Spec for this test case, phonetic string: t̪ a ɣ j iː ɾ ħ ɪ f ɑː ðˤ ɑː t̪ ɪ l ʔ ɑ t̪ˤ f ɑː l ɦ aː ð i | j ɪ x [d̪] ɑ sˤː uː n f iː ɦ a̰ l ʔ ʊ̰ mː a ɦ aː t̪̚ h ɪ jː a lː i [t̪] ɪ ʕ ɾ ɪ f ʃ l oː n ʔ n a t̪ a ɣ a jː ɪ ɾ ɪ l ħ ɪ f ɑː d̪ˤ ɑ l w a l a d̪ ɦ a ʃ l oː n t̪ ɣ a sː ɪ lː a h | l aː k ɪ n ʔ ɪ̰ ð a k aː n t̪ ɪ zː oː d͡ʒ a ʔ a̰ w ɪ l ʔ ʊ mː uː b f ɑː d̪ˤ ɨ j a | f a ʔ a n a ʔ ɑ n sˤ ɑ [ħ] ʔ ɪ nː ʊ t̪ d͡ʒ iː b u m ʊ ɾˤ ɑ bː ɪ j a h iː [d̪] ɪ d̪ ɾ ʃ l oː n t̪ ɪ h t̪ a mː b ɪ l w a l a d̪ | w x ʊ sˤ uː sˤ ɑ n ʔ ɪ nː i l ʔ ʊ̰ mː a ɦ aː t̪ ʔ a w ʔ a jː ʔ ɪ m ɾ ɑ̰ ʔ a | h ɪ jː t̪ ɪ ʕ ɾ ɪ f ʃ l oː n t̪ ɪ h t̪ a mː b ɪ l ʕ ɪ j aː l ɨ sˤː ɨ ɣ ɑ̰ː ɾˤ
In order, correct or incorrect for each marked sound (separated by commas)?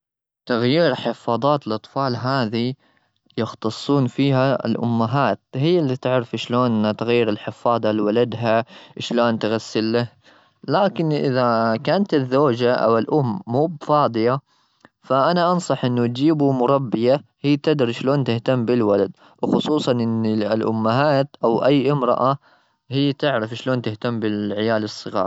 incorrect, correct, correct, incorrect